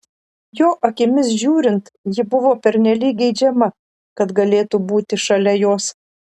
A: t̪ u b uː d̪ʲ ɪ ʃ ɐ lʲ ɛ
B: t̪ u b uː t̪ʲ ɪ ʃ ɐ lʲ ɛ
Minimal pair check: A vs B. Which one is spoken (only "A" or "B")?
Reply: B